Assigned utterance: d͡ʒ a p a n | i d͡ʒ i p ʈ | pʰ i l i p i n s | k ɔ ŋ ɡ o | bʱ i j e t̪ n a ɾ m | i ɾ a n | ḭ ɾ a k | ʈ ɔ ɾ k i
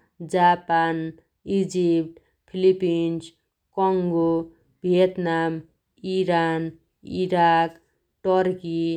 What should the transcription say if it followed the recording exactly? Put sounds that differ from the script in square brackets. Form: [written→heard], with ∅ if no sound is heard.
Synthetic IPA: d͡ʒ a p a n | i d͡ʒ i p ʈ | pʰ i l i p i n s | k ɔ ŋ ɡ o | bʱ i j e t̪ n a [ɾ→∅] m | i ɾ a n | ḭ ɾ a k | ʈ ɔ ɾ k i